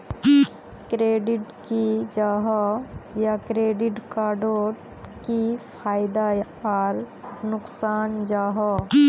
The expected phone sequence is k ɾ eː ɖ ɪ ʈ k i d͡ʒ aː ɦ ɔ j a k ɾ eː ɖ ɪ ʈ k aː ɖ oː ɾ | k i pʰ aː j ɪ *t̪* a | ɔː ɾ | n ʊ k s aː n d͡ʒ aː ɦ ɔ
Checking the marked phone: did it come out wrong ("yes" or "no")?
yes